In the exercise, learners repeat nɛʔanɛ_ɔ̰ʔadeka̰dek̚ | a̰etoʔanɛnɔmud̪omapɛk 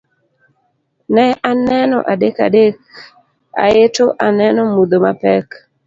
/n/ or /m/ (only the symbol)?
n